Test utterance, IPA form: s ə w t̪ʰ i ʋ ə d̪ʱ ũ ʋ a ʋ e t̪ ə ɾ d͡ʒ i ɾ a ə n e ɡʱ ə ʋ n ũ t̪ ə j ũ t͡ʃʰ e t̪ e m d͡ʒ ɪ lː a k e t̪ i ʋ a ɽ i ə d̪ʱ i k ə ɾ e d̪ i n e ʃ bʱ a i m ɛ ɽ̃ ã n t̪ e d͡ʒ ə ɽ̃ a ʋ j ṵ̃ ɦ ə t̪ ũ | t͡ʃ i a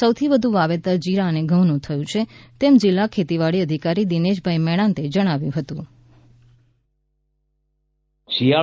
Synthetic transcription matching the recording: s ə w t̪ʰ i ʋ ə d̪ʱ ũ ʋ a ʋ e t̪ ə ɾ d͡ʒ i ɾ a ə n e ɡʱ ə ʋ n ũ t̪ʰ ə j ũ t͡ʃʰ e t̪ e m d͡ʒ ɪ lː a kʰ e t̪ i ʋ a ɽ i ə d̪ʱ i k a ɾ i d̪ i n e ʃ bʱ a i m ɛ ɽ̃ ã n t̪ e d͡ʒ ə ɽ̃ a ʋ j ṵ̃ ɦ ə t̪ ũ | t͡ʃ i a